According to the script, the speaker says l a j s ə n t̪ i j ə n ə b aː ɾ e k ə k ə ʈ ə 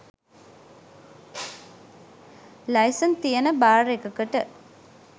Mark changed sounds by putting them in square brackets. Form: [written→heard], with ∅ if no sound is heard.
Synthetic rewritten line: l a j s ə n t̪ i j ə n ə b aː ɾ e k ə k ə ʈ ə